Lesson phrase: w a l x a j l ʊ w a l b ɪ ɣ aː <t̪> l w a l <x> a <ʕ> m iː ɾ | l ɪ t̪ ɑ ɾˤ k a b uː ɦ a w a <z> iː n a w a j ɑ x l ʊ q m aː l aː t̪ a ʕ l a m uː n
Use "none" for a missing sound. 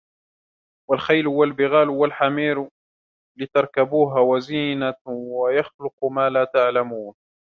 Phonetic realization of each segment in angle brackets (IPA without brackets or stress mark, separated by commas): none, ħ, none, z